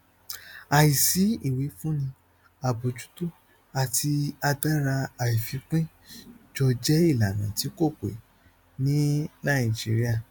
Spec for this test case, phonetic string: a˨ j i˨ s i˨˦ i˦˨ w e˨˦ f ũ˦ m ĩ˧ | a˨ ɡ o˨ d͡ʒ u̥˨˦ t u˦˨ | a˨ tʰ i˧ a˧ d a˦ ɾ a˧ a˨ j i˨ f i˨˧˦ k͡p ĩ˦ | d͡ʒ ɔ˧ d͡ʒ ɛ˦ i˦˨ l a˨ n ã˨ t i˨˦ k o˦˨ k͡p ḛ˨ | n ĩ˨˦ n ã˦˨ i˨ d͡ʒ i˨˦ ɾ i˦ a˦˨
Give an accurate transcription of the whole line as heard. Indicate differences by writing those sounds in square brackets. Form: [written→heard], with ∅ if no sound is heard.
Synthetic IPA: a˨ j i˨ s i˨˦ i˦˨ w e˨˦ f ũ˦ [m→n] ĩ˧ | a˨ [ɡ→b] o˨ d͡ʒ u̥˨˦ t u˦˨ | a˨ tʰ i˧ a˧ d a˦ ɾ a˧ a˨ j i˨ f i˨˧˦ k͡p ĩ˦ | d͡ʒ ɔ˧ d͡ʒ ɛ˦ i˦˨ l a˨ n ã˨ t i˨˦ k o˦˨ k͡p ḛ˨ | n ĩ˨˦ n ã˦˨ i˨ d͡ʒ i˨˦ ɾ i˦ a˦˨